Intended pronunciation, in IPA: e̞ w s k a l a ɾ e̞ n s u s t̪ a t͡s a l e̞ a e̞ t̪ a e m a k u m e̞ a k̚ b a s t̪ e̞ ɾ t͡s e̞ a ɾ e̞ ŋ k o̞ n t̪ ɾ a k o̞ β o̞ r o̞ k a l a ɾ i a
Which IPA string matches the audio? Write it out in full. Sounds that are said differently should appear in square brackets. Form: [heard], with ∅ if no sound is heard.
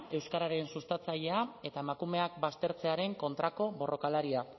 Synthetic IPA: e̞ w s k a [ɾ] a ɾ e̞ n s u s t̪ a t͡s a [ʎ] e̞ a e̞ t̪ a e m a k u m e̞ a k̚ b a s t̪ e̞ ɾ t͡s e̞ a ɾ e̞ ŋ k o̞ n t̪ ɾ a k o̞ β o̞ r o̞ k a l a ɾ i a